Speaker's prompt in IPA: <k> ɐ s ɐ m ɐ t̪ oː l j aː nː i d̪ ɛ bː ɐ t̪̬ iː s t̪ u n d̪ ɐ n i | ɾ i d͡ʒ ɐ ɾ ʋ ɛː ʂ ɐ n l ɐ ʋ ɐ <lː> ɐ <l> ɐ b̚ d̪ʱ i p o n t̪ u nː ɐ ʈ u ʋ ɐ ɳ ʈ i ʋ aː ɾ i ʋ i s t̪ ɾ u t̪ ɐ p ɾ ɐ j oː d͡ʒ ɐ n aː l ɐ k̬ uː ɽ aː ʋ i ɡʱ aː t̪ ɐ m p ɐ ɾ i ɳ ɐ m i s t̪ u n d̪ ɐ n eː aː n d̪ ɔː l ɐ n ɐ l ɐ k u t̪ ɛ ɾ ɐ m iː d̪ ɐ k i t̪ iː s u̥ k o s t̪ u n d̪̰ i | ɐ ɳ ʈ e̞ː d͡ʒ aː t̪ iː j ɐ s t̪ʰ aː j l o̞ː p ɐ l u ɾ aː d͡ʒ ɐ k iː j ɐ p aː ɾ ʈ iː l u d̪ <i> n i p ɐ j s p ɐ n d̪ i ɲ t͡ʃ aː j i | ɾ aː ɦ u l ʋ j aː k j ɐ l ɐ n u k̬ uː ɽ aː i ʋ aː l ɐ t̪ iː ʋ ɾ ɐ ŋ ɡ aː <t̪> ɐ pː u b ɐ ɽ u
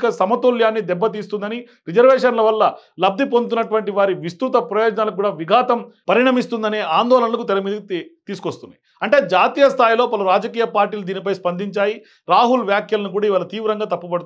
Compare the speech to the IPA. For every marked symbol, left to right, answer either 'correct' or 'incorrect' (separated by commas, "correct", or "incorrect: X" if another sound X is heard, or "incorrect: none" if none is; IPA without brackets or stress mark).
correct, correct, correct, incorrect: iː, correct